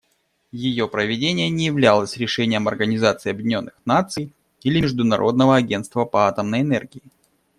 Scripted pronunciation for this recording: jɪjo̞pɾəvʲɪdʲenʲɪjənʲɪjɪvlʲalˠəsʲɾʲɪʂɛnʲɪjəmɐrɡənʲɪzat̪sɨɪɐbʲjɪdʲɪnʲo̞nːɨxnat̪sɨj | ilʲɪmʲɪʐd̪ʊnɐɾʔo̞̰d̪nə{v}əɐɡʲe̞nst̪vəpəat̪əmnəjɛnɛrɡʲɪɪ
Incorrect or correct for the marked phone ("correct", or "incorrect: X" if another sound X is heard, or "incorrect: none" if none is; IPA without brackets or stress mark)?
correct